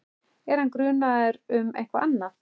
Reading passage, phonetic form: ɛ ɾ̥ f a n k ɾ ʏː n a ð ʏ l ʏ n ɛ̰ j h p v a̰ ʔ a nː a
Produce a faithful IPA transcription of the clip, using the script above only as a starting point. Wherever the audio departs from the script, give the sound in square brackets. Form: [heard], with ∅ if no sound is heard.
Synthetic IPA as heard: ɛ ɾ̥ [h] a n k ɾ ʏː n a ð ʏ [ɾ] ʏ [m] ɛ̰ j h [k] v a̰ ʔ a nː a